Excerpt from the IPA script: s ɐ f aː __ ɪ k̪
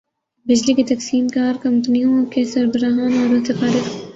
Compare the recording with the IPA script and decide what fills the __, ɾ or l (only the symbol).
ɾ